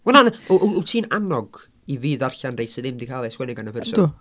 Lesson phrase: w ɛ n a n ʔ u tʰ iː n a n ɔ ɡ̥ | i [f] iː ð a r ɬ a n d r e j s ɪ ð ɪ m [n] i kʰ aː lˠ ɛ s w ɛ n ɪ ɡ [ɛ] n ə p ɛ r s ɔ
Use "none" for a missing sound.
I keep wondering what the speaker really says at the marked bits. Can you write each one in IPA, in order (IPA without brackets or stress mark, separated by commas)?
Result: v, d, a